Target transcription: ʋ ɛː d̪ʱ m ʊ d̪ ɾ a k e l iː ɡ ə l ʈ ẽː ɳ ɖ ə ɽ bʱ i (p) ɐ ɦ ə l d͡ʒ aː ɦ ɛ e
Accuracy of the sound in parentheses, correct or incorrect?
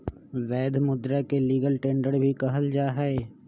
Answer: incorrect